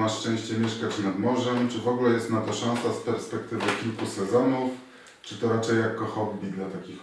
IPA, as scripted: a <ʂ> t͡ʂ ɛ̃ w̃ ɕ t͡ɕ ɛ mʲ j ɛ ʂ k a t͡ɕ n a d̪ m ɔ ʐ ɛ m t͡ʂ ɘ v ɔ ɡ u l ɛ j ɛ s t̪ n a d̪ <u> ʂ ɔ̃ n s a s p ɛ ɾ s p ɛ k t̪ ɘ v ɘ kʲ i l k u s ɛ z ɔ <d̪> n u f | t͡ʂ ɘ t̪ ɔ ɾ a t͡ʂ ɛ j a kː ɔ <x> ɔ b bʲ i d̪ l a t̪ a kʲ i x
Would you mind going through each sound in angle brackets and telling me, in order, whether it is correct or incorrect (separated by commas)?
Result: correct, incorrect, incorrect, correct